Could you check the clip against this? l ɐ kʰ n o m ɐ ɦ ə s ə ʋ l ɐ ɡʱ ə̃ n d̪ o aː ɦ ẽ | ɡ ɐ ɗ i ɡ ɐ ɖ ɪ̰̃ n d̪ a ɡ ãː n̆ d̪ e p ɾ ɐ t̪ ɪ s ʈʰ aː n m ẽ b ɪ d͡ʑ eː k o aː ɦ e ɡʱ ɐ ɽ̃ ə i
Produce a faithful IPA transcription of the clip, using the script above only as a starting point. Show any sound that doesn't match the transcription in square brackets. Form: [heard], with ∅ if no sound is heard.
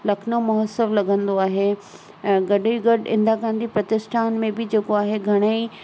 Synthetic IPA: l ɐ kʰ n o m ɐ ɦ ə s ə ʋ l ɐ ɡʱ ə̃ n d̪ o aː ɦ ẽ | ɡ ɐ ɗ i ɡ ɐ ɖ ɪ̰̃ n d̪ a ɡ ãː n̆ d̪ [i] p ɾ ɐ t̪ ɪ s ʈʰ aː n m ẽ b ɪ d͡ʑ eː k o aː ɦ e ɡʱ ɐ ɽ̃ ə i

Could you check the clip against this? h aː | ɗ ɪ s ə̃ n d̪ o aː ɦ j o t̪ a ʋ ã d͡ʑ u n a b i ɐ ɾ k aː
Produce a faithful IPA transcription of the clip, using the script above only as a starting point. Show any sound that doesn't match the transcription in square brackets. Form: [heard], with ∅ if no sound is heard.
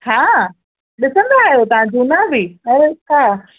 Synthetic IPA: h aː | ɗ ɪ s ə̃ n d̪ o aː ɦ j o t̪ [ɐ] ʋ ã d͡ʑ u n a b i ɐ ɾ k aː

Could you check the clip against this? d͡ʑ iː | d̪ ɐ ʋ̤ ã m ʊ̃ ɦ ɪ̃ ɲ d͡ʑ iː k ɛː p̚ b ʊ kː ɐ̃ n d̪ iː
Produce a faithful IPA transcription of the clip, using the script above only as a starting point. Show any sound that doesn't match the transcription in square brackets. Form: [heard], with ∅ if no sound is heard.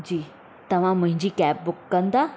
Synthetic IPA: d͡ʑ iː | [t̪] ɐ ʋ̤ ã m ʊ̃ ɦ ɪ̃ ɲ d͡ʑ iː k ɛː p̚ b ʊ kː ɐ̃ n d̪ [aː]

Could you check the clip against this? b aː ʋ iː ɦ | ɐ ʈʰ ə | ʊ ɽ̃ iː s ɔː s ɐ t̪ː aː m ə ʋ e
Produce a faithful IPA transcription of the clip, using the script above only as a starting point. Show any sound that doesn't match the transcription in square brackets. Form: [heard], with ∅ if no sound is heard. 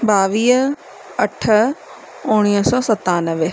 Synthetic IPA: b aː ʋ iː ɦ | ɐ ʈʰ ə | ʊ ɽ̃ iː s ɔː s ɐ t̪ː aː [n] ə ʋ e

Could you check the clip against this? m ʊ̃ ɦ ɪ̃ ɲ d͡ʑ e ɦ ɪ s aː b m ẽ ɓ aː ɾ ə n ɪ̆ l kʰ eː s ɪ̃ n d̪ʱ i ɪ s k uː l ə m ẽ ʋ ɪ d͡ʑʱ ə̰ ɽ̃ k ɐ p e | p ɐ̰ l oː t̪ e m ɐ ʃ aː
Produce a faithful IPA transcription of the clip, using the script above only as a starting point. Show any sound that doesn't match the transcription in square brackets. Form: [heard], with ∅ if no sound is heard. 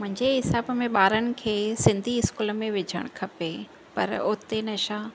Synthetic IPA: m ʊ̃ ɦ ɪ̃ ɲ d͡ʑ e ɦ ɪ s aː b m ẽ ɓ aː ɾ ə n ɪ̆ [∅] kʰ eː s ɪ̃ n d̪ʱ i ɪ s k uː l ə m ẽ ʋ ɪ d͡ʑʱ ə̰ ɽ̃ [kʰ] ɐ p e | p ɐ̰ [ɾ] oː t̪ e [n] ɐ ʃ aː

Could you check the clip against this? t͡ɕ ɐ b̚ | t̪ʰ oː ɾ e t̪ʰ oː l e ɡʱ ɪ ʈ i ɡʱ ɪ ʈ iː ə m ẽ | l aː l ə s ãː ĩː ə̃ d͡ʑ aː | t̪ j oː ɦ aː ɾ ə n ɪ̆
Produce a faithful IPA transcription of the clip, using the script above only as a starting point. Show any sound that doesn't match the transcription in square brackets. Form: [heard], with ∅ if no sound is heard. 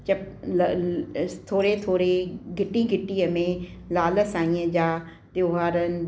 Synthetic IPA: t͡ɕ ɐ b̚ | t̪ʰ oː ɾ e t̪ʰ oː [ɾ] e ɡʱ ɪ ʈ i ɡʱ ɪ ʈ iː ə m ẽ | l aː l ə s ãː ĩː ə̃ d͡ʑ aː | t̪ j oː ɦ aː ɾ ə n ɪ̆

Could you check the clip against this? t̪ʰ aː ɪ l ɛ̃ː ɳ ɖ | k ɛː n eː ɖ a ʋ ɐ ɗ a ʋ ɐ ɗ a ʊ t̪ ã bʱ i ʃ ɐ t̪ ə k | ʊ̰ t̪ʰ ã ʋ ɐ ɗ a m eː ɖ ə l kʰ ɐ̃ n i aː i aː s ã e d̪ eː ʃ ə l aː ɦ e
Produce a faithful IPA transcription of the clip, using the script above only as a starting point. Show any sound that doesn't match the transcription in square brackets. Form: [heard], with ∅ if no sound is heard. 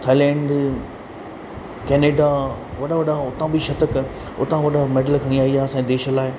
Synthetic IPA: t̪ʰ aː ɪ l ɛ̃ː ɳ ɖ | k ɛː n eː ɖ a ʋ ɐ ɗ a ʋ ɐ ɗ a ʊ t̪ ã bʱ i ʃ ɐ t̪ ə k | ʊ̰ [t̪] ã ʋ ɐ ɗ a m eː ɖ ə l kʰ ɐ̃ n i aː i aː s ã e d̪ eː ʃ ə l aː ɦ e

